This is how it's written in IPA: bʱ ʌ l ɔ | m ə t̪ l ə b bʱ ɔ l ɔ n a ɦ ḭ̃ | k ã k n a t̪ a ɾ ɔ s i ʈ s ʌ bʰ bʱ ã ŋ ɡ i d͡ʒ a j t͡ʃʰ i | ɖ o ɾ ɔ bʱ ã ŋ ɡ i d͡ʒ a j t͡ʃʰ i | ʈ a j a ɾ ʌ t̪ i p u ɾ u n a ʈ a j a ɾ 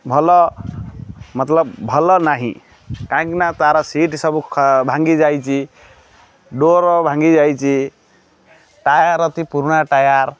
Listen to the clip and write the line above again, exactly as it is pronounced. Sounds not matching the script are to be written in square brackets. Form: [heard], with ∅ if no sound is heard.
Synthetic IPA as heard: bʱ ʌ l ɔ | m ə t̪ l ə b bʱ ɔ l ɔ n a ɦ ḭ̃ | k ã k n a t̪ a ɾ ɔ s i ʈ s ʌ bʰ bʱ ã ŋ ɡ i d͡ʒ a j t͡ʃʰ i | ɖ o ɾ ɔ bʱ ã ŋ ɡ i d͡ʒ a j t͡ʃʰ i | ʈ a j a ɾ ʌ t̪ i p u ɾ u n a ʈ a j a ɾ